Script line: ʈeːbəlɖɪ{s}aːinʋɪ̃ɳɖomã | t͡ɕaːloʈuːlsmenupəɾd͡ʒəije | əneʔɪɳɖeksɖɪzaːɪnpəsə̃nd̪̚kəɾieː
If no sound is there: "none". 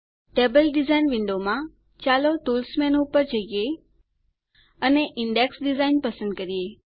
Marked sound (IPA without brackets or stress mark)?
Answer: z